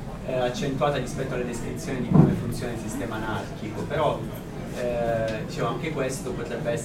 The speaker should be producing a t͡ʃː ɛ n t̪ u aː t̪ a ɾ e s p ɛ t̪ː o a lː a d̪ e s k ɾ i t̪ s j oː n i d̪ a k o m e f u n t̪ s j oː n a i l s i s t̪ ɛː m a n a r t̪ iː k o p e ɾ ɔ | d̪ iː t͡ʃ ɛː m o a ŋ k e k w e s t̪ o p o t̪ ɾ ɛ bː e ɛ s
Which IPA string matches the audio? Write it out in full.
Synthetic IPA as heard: a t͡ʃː e n t̪ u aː t̪ a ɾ i s p ɛ t̪ː o a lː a d̪ e s k ɾ i t̪ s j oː n i d̪ i k o m e f u n t̪ s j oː n a i l s i s t̪ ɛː m a n a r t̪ i k o p e ɾ ɔ | d̪ i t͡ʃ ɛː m o a ŋ k e k w e s t̪ o p o t̪ ɾ ɛ bː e ɛ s